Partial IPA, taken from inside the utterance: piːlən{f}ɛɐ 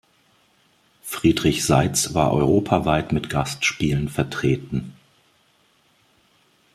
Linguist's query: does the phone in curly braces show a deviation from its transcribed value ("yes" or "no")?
no